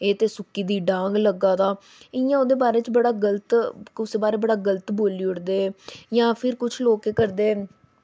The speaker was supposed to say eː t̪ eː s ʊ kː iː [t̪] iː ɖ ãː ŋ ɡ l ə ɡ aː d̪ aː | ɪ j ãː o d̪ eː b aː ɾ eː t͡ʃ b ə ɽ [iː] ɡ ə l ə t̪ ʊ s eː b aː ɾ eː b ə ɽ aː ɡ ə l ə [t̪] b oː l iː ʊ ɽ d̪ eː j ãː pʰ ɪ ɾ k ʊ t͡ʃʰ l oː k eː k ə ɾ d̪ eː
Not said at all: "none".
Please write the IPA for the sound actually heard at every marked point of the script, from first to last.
d̪, aː, t̪

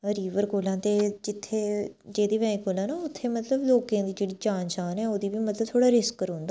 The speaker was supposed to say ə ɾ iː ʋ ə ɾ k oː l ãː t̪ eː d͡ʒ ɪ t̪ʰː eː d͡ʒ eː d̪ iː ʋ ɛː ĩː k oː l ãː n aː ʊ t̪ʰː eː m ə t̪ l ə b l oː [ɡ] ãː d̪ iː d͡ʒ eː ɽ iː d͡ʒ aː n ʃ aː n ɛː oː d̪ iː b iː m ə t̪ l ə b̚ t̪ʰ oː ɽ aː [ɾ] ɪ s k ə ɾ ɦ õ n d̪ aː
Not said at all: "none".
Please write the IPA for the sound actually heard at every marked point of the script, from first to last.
k, ɾ

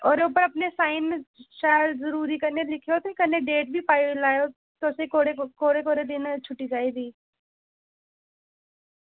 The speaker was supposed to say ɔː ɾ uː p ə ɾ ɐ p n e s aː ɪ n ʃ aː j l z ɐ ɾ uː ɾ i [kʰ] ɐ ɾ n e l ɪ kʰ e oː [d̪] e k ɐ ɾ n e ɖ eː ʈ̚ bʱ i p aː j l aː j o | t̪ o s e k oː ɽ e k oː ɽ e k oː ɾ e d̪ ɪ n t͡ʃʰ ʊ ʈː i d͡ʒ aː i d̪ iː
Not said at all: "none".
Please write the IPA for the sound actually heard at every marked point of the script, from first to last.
k, t̪

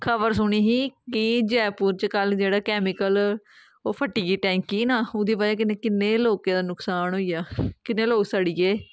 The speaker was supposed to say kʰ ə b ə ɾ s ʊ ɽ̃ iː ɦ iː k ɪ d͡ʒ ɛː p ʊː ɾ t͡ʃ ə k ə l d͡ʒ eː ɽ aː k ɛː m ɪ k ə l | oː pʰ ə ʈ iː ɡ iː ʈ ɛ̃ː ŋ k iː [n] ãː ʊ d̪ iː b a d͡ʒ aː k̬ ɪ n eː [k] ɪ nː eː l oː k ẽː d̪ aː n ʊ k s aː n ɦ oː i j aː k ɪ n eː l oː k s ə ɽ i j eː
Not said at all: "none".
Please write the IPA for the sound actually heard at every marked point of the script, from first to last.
n, k

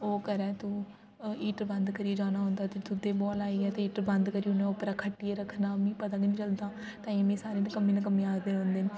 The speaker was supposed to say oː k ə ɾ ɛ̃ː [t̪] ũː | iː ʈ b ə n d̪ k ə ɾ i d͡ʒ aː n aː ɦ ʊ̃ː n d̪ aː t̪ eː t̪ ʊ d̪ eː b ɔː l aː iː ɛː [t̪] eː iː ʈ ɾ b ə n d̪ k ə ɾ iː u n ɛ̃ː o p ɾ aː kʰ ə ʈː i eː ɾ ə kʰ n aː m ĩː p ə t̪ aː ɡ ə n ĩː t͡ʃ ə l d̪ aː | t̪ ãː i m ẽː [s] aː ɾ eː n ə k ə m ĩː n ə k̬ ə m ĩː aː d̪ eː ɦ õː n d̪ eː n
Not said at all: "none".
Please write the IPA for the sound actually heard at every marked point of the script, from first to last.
t̪, t̪, s

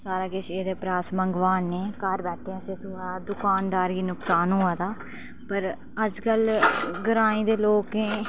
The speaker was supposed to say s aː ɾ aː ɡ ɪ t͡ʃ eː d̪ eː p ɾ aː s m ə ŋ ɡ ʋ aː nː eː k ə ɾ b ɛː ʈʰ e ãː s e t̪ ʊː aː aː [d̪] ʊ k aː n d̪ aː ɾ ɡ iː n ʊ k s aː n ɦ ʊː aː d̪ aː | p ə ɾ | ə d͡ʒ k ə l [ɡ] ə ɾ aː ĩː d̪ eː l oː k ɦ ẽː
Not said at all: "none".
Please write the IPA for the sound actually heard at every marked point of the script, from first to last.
d̪, ɡ

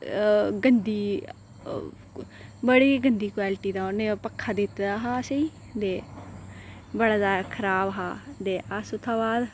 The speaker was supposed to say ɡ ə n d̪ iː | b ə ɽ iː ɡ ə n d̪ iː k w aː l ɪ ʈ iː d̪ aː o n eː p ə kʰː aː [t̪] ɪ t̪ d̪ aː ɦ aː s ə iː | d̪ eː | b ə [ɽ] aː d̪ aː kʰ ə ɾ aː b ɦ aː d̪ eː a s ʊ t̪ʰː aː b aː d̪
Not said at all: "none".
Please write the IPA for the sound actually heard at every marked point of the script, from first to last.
d̪, ɽ

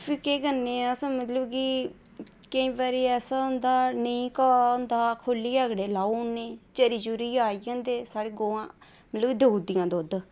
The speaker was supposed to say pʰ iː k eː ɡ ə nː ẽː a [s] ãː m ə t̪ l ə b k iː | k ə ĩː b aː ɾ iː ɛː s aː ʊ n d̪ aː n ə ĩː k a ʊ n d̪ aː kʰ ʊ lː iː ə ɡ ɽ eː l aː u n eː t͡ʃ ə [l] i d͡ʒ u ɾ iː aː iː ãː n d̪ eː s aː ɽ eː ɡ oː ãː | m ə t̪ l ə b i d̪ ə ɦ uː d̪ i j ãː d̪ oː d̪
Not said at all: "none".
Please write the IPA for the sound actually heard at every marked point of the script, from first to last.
s, ɾ

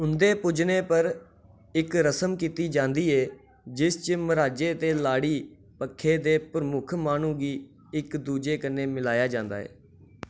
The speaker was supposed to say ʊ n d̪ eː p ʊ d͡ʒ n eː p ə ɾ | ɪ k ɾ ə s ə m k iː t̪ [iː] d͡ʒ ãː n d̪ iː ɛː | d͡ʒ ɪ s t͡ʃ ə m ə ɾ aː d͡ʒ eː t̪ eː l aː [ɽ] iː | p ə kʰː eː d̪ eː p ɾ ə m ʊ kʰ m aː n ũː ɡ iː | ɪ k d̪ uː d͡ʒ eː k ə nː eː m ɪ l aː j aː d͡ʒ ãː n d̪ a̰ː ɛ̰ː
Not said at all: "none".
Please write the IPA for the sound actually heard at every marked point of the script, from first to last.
iː, ɽ

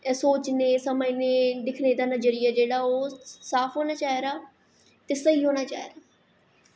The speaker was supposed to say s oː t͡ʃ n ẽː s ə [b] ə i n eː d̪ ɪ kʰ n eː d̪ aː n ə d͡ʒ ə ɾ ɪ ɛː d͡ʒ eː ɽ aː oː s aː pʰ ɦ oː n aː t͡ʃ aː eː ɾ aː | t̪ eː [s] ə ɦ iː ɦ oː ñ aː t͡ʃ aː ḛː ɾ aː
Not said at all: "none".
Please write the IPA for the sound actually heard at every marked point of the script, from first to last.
m, s

